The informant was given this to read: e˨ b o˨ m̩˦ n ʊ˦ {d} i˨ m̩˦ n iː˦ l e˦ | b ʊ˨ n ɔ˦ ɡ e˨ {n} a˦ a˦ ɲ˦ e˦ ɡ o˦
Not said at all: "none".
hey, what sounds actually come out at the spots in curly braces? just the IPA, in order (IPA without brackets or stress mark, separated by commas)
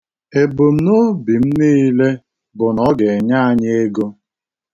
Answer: b, ɲ